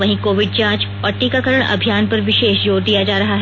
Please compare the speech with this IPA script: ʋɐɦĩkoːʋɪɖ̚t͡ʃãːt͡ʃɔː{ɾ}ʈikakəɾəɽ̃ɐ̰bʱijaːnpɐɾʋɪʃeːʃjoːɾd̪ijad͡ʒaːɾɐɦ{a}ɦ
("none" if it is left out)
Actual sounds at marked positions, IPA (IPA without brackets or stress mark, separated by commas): ɾ, a